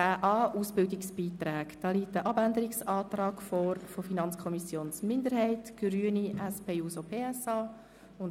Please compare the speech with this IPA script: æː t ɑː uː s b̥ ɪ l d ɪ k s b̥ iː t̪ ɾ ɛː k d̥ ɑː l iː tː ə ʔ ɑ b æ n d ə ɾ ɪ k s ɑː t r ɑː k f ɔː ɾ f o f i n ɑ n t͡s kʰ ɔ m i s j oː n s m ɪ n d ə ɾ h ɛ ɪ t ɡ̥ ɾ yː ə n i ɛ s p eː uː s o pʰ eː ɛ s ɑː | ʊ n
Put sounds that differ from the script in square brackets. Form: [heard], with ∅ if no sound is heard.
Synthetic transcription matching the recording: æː [ʔ] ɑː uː s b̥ ɪ l d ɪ k s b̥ iː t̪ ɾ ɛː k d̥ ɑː l iː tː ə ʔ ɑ b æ n d ə ɾ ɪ k s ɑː t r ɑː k f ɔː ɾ f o f i n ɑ n t͡s kʰ ɔ m i s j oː n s m ɪ n d ə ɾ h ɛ ɪ t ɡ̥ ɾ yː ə n i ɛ s p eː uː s o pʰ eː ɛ s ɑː | ʊ n